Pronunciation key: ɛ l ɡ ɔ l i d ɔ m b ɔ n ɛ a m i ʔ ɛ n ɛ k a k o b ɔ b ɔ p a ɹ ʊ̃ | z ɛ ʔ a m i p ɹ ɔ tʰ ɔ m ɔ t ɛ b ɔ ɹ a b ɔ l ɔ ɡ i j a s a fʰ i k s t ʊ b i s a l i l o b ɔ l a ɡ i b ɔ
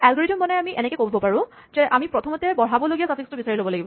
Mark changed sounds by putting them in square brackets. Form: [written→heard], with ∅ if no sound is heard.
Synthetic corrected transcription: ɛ l ɡ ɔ [l→ɹ] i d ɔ m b ɔ n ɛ a m i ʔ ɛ n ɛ k [a→ɛ] k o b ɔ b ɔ p a ɹ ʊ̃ | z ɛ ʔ a m i p ɹ ɔ tʰ ɔ m ɔ t ɛ b ɔ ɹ a b ɔ l [ɔ→o] ɡ i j a s a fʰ i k s t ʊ b i s a [l→ɹ] i l o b ɔ l a ɡ i b ɔ